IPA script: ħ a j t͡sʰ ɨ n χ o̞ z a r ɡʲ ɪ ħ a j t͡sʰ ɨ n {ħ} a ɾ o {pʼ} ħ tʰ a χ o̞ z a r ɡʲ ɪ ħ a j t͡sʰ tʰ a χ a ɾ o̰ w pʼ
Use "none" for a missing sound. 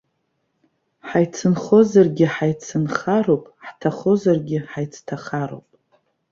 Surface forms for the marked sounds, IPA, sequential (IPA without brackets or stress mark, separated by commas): χ, pʼ